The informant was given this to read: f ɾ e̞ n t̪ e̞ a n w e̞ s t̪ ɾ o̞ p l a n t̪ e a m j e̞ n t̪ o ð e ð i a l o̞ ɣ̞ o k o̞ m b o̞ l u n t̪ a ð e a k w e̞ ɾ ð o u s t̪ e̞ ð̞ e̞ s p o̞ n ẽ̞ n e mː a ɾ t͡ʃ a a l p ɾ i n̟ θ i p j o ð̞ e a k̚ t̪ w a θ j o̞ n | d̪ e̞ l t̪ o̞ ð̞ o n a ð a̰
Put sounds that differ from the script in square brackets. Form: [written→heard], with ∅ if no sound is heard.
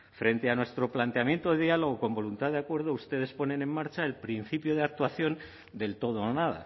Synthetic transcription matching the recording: f ɾ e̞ n t̪ e̞ a n w e̞ s t̪ ɾ o̞ p l a n t̪ e a m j e̞ n t̪ o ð e ð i a l o̞ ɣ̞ o k o̞ m b o̞ l u n t̪ a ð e a k w e̞ ɾ ð o u s t̪ e̞ ð̞ e̞ s p o̞ n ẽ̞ n e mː a ɾ t͡ʃ a [a→e] l p ɾ i n̟ θ i p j o ð̞ e a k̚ t̪ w a θ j o̞ n | d̪ e̞ l t̪ o̞ ð̞ o n a ð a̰